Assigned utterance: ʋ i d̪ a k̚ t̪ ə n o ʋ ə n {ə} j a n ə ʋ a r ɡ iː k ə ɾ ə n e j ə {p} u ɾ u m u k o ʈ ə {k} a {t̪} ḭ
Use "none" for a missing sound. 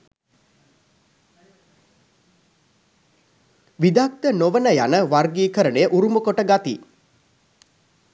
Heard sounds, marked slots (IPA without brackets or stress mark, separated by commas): ə, ʔ, ɡ, t̪